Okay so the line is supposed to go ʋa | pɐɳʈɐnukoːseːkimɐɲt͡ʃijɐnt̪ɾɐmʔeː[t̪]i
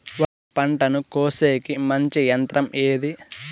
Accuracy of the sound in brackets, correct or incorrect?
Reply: incorrect